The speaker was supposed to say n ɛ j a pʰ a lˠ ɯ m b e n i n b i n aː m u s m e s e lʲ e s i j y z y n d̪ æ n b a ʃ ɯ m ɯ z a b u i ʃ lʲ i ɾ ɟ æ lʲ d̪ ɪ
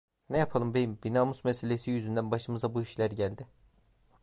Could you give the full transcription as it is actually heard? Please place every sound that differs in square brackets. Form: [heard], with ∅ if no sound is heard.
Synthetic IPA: n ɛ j a pʰ a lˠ ɯ m b e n i [m] b i n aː m u s m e s e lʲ e s i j y z y n d̪ æ n b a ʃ ɯ m ɯ z a b u i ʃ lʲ [æ] ɾ ɟ æ lʲ d̪ ɪ